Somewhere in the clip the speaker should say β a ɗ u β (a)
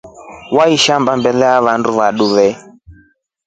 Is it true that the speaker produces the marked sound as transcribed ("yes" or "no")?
no